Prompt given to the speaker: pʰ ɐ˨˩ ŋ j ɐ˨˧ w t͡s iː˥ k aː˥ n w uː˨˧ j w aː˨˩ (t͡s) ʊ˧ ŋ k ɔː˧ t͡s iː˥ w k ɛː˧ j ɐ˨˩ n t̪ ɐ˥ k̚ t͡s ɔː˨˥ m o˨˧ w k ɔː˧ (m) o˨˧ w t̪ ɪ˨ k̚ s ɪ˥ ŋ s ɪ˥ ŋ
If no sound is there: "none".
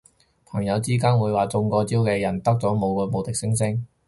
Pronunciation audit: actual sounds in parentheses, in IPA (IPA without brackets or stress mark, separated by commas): t͡s, m